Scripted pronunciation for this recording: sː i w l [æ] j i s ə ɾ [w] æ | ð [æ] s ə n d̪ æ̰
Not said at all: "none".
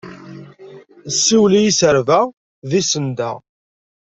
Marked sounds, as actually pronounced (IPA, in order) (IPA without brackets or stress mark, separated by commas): i, v, i